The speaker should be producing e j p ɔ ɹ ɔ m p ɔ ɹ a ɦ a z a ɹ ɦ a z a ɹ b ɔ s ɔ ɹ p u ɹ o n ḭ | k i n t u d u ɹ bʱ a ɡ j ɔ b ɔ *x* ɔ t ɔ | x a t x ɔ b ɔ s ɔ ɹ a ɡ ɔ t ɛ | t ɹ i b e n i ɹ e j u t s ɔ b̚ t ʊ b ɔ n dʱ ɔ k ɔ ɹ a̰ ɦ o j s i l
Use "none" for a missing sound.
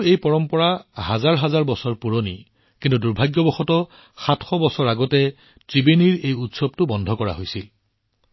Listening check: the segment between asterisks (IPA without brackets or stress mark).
x